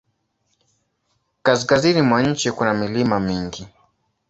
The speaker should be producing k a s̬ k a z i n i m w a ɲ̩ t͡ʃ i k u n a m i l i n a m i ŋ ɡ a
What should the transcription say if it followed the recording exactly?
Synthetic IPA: k a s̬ k a z i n i m w a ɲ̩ t͡ʃ i k u n a m i l i m a m i ŋ ɡ i

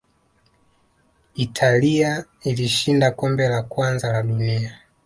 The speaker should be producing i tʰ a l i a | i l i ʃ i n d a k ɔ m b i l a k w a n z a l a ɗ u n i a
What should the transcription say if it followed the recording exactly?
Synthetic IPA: i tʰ a l i a | i l i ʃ i n d a k ɔ m b ɛ l a k w a n z a l a ɗ u n i a

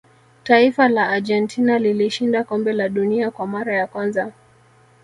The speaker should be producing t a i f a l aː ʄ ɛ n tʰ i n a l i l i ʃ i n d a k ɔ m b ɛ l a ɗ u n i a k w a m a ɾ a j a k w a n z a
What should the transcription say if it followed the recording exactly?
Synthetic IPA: t a i f a l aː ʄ ɛ n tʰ i n a l i l i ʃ i n d a k ɔ m b ɛ l a ɗ u n i a k w a m a ɾ a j a k w a n z a

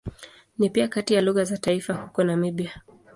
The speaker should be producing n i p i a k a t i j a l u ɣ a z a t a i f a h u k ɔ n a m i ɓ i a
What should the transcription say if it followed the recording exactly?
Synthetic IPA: n i p i a k a t i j a l u ɣ a z a t a i f a h u k ɔ n a m i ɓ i a

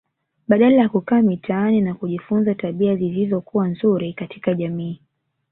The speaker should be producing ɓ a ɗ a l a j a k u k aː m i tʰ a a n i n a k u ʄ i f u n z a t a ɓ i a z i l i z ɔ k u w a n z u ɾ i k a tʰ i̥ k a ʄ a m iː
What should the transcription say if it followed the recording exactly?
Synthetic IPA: ɓ a ɗ a l a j a k u k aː m i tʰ a a n i n a k u ʄ i f u n z a t a ɓ i a z i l i z ɔ k u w a n z u ɾ i k a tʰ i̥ k a ʄ a m iː

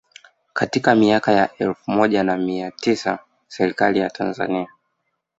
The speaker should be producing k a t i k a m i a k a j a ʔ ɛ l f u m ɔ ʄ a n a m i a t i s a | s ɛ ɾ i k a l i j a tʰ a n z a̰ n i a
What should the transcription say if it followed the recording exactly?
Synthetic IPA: k a t i k a m i a k a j a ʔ ɛ l f u m ɔ ʄ a n a m i a t i s a | s ɛ ɾ i k a l i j a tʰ a n z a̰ n i a

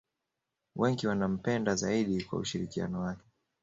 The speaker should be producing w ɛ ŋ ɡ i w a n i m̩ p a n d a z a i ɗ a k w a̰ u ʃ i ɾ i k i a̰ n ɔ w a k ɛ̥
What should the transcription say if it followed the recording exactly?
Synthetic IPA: w ɛ ŋ ɡ i w a n a m̩ p ɛ n d a z a i ɗ i k w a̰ u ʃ i ɾ i k i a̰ n ɔ w a k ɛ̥

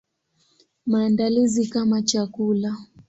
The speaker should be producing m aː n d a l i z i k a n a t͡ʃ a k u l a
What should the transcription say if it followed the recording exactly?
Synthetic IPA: m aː n d a l i z i k a m a t͡ʃ a k u l a

